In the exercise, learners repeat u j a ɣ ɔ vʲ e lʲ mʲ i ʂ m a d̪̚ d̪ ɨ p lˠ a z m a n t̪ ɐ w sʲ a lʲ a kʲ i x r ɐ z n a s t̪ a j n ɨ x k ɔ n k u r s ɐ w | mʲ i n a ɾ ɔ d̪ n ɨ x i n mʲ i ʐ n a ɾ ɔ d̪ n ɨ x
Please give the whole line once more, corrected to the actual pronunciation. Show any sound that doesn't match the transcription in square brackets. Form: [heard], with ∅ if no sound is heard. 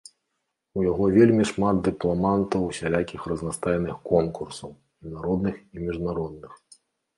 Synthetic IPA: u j a ɣ ɔ vʲ e lʲ mʲ i ʂ m a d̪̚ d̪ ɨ p lˠ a [∅] m a n t̪ ɐ w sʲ a lʲ a kʲ i x r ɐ z n a s t̪ a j n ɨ x k ɔ n k u r s ɐ w | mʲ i n a ɾ ɔ d̪ n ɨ x i [∅] mʲ i ʐ n a ɾ ɔ d̪ n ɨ x